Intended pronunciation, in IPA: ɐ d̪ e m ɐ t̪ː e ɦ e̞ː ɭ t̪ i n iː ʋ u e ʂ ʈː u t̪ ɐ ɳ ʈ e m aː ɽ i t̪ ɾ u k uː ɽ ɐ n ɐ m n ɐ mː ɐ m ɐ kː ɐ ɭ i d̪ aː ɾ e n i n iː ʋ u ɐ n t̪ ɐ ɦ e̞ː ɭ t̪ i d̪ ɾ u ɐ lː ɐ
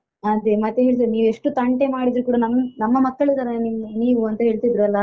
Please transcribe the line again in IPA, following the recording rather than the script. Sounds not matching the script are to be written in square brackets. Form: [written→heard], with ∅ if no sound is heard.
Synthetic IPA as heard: ɐ d̪ e m ɐ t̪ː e ɦ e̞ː ɭ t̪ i n iː ʋ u e ʂ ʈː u t̪ ɐ ɳ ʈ e m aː ɽ i [t̪→d̪] ɾ u k uː ɽ ɐ n ɐ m n ɐ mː ɐ m ɐ kː ɐ ɭ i d̪ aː ɾ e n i n iː ʋ u ɐ n t̪ ɐ ɦ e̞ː ɭ t̪ i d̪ ɾ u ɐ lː ɐ